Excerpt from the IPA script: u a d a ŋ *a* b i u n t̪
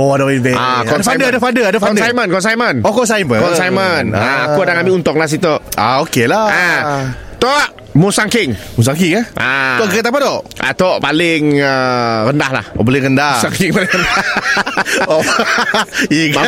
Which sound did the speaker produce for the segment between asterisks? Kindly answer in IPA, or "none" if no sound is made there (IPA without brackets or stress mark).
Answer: a